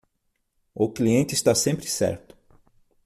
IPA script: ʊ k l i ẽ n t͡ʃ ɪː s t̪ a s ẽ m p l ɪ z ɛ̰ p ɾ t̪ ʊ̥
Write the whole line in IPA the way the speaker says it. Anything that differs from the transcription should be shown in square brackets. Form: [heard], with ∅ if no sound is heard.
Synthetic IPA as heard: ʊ k l i ẽ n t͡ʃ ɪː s t̪ a s ẽ m p [ɾ] ɪ [s] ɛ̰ [∅] ɾ t̪ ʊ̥